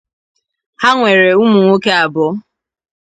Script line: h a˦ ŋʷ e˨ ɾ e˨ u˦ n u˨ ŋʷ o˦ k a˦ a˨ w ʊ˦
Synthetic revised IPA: h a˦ ŋʷ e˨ ɾ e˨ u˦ m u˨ ŋʷ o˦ k e˦ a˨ b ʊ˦